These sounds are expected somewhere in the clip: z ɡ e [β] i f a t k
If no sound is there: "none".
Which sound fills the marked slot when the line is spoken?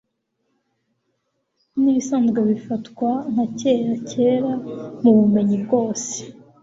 β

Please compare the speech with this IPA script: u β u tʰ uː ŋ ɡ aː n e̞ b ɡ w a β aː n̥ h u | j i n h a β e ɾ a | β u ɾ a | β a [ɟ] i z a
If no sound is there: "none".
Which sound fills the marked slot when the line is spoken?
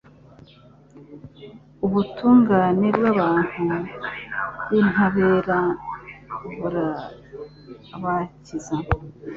c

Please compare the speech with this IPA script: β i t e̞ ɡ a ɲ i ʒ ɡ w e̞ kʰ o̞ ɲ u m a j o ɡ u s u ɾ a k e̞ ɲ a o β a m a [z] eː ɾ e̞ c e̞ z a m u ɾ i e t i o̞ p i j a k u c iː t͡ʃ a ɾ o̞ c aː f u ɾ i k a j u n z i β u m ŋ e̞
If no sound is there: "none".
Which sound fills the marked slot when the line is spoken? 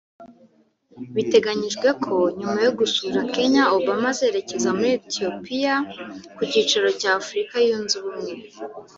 z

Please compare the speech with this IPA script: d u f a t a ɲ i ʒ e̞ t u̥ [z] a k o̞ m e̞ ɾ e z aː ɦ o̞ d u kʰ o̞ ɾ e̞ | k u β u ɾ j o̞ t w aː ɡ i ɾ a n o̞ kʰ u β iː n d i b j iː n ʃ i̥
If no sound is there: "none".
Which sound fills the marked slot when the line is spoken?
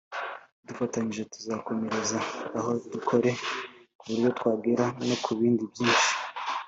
z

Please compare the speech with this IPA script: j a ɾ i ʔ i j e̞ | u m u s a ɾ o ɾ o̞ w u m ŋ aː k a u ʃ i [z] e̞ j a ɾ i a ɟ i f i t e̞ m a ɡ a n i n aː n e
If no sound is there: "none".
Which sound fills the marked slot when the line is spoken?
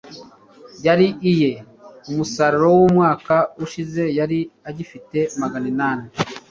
z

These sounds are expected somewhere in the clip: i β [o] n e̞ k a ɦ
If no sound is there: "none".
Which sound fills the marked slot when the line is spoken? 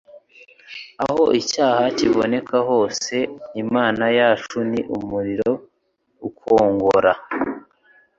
o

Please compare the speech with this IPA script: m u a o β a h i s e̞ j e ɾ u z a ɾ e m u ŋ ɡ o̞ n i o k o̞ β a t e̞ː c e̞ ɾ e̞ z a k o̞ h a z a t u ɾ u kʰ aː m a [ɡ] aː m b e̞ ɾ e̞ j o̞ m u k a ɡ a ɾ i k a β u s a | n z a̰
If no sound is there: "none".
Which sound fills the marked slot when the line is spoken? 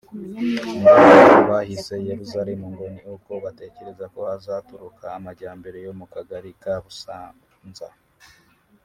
ɟ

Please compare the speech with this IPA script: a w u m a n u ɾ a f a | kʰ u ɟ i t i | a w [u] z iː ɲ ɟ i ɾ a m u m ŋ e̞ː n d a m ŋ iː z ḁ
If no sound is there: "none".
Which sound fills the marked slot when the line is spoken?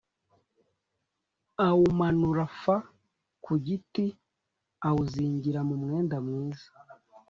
u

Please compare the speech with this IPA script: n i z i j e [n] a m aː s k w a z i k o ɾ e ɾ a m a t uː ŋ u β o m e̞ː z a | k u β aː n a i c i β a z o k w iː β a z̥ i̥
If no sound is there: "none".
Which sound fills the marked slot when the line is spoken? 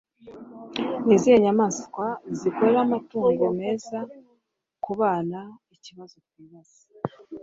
ɲ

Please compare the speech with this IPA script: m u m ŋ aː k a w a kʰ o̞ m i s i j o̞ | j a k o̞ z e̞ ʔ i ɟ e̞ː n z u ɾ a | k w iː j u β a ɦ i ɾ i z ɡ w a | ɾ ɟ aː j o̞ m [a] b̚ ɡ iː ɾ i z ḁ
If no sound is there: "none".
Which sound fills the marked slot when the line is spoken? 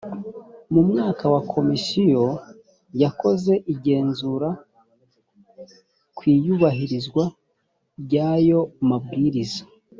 a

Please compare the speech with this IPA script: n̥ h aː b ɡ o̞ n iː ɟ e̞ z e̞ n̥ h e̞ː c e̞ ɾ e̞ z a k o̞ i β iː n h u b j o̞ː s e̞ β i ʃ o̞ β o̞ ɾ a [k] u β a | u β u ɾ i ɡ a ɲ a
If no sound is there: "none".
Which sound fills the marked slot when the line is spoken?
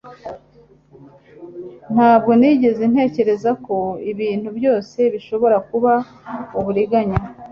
k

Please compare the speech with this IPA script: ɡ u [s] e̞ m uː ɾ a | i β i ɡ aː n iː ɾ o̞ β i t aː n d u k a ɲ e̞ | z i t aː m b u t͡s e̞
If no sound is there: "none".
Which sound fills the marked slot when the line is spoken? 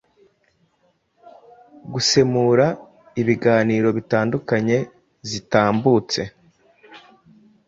s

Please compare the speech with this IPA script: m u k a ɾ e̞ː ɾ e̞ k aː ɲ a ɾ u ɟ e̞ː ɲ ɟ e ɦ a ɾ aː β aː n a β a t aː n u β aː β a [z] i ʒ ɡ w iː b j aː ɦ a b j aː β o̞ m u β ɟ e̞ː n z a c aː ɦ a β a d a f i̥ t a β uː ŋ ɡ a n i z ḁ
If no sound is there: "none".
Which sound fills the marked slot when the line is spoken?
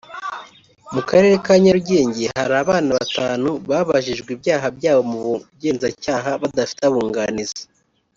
ʒ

